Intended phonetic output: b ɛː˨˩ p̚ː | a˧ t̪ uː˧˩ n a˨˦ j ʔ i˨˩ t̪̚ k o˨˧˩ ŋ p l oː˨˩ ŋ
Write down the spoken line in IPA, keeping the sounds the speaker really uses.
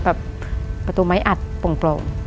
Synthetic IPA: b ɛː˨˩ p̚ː | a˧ t̪ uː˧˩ m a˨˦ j ʔ a˨˩ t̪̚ p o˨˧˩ ŋ p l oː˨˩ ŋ